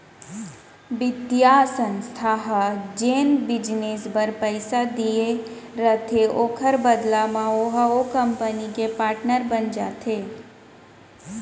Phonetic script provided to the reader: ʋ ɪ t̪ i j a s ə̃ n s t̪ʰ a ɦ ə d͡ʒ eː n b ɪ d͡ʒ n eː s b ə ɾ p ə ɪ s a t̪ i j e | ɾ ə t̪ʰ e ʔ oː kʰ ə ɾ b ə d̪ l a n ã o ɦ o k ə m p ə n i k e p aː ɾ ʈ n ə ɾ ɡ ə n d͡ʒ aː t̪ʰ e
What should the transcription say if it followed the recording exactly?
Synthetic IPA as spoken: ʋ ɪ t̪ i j a s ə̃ n s t̪ʰ a ɦ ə d͡ʒ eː n b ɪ d͡ʒ n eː s b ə ɾ p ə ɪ s a d̪ i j e | ɾ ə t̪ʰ e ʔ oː kʰ ə ɾ b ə d̪ l a m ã o ɦ o k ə m p ə n i k e p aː ɾ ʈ n ə ɾ b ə n d͡ʒ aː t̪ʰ e